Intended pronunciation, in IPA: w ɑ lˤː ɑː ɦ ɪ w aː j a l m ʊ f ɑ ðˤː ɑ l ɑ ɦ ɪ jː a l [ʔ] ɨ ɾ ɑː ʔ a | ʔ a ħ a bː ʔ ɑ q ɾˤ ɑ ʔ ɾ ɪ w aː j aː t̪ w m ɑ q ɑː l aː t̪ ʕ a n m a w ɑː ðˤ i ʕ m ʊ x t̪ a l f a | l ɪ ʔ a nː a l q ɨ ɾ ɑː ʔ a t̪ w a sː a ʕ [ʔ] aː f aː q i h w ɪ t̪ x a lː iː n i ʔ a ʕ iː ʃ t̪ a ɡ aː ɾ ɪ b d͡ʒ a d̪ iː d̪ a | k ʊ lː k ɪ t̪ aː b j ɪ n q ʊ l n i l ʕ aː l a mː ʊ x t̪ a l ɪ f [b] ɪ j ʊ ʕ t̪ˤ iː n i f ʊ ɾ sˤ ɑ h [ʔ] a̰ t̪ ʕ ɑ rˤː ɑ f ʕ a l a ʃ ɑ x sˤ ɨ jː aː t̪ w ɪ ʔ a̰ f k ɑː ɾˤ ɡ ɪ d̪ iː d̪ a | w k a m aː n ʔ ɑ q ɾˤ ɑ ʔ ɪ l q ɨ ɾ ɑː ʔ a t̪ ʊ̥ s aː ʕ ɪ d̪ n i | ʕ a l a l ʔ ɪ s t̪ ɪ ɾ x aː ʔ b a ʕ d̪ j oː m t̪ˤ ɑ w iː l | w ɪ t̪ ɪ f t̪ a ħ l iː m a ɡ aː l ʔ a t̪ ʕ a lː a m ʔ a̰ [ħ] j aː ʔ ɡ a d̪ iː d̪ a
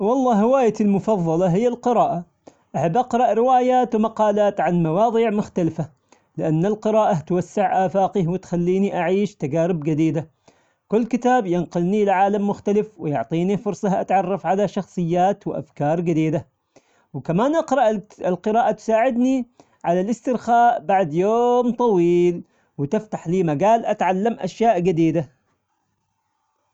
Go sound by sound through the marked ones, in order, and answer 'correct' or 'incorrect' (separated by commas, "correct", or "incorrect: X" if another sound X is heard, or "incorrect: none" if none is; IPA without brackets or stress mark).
incorrect: q, correct, incorrect: w, correct, incorrect: ʃ